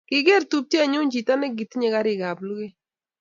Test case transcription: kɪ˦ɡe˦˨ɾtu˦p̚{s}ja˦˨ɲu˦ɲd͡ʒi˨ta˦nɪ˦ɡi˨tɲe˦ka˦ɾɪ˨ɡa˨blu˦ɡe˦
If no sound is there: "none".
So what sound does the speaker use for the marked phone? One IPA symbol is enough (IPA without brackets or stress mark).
t